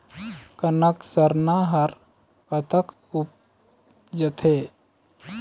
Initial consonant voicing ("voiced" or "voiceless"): voiceless